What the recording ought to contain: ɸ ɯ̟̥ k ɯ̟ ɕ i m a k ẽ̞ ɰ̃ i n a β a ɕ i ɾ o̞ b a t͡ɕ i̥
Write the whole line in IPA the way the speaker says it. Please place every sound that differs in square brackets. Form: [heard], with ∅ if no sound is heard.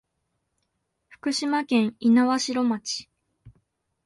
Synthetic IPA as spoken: ɸ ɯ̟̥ k ɯ̟ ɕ i m a k ẽ̞ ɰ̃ i n a β a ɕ i ɾ o̞ [m] a t͡ɕ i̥